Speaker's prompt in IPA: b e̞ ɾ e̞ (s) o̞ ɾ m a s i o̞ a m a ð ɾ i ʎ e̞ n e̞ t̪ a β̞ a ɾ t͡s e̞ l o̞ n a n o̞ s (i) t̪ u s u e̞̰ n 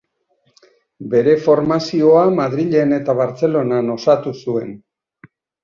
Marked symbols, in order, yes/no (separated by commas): no, no